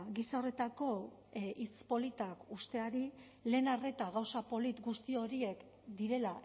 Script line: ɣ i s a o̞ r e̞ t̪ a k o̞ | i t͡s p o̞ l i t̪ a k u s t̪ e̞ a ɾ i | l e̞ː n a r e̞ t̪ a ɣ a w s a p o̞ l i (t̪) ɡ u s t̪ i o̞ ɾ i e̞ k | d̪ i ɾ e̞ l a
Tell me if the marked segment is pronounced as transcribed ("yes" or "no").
yes